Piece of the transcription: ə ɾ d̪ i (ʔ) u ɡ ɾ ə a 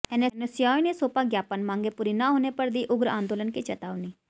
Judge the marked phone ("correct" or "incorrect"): correct